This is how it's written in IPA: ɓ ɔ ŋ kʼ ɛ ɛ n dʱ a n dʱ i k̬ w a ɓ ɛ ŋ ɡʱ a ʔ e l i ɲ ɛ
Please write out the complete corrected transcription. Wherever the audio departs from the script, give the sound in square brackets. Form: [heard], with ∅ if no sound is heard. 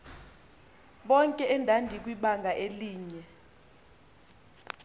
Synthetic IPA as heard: ɓ ɔ ŋ kʼ ɛ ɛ n dʱ a n dʱ i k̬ w [i] ɓ [a] ŋ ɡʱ a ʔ e l [iː] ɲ ɛ

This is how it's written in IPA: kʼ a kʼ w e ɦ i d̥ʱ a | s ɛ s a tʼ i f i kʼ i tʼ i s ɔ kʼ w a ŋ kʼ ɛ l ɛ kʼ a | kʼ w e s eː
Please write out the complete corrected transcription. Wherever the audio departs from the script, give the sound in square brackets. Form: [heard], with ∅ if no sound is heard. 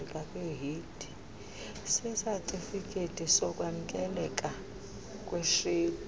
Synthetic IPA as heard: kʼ a kʼ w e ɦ i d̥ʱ [i] | s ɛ s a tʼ i f i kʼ [e] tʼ i s ɔ kʼ w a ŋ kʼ ɛ l ɛ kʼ a | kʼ w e [ʃ] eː

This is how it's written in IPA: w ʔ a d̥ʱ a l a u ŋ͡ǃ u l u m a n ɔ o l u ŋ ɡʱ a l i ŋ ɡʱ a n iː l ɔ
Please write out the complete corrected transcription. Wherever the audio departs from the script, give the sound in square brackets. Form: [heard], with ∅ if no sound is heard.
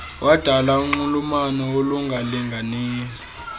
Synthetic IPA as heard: w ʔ a d̥ʱ a l a u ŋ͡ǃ u l u m a n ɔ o l u ŋ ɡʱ a l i ŋ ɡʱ a n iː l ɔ

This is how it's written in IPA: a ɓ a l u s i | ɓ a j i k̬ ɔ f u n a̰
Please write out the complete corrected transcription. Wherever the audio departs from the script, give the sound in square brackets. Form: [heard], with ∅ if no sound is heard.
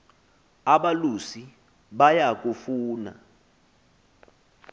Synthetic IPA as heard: a ɓ a l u s i | ɓ a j [a] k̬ [u] f [uː] n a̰

